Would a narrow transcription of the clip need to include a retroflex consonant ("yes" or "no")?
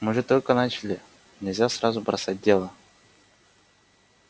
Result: yes